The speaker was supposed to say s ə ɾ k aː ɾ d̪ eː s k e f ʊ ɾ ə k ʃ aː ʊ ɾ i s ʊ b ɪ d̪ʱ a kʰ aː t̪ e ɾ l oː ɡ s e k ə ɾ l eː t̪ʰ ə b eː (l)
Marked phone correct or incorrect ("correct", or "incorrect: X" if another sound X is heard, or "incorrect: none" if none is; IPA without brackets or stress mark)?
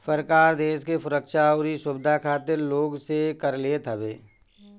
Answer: incorrect: none